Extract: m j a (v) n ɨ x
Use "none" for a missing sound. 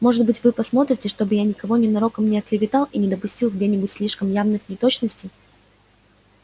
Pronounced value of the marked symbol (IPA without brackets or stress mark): v